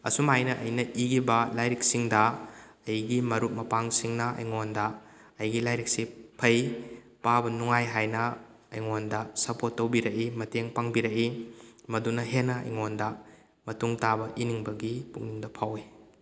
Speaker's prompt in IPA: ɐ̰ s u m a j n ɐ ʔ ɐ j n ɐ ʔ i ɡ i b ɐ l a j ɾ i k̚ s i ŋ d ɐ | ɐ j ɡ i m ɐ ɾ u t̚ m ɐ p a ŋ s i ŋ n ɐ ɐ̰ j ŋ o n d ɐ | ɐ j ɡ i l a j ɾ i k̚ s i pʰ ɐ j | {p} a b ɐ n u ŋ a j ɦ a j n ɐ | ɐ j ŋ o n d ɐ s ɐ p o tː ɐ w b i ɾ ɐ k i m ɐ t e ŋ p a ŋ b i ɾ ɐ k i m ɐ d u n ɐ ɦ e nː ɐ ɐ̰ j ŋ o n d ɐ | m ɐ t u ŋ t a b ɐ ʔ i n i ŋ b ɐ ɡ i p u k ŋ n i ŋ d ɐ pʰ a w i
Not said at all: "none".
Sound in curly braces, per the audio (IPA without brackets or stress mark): p